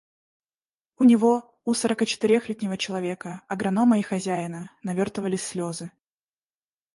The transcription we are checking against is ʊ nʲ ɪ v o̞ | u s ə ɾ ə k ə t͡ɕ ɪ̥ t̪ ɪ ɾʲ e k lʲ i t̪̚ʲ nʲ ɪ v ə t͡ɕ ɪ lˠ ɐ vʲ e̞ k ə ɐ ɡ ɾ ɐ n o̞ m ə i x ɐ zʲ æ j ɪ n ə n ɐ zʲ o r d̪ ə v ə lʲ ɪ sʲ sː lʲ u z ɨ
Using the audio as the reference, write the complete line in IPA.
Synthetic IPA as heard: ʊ nʲ ɪ v o̞ | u s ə ɾ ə k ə t͡ɕ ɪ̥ t̪ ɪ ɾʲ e x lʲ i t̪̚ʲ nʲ ɪ v ə t͡ɕ ɪ lˠ ɐ vʲ e̞ k ə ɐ ɡ ɾ ɐ n o̞ m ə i x ɐ zʲ æ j ɪ n ə n ɐ vʲ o r t̪ ə v ə lʲ ɪ sʲ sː lʲ o z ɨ

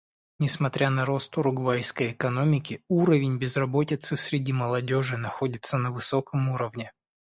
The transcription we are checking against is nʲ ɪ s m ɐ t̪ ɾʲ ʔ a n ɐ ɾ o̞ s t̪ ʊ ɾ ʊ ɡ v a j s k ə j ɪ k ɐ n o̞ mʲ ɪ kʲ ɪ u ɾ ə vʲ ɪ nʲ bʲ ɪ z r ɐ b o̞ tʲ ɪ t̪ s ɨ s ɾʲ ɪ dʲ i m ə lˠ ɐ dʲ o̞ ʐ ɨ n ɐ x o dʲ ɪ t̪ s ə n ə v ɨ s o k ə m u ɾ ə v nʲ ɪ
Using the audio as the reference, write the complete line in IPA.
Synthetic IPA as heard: nʲ ɪ s m ɐ t̪ ɾʲ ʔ a n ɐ ɾ o̞ s t̪ ʊ ɾ ʊ ɡ v a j s k ə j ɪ k ɐ n o̞ mʲ ɪ kʲ ɪ u ɾ ə vʲ ɪ nʲ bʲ ɪ z r ɐ b o̞ tʲ ɪ t̪ s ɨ s ɾʲ ɪ dʲ i m ə lˠ ɐ dʲ o̞ ʐ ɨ n ɐ x o dʲ ɪ t̪ s ə n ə v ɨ s o k ə m u ɾ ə v nʲ ɪ

